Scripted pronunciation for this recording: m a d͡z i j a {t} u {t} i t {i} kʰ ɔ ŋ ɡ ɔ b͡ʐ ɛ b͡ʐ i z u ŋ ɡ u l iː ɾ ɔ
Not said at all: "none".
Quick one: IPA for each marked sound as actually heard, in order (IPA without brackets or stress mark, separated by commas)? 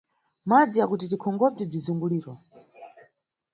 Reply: k, t, i